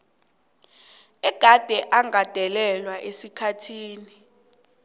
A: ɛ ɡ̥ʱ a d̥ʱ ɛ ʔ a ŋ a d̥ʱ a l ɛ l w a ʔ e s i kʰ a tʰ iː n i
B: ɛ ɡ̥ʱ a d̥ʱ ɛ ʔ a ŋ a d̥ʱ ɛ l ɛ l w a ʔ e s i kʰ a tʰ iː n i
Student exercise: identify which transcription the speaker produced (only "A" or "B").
B